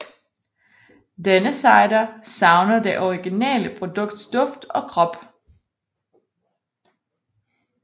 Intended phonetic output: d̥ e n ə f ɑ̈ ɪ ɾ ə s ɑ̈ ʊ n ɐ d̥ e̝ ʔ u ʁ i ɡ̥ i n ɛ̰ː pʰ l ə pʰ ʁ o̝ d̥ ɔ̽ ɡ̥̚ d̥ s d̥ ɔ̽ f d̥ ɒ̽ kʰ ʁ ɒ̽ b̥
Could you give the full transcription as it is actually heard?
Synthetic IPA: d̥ e n ə s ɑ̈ ɪ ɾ ɐ s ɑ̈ ʊ n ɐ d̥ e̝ ʔ ɒ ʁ i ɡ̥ i n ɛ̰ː l ə pʰ ʁ o̝ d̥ ɔ̽ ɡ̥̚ d̥ s d̥ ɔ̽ f d̥ ɒ̽ kʰ ʁ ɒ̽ b̥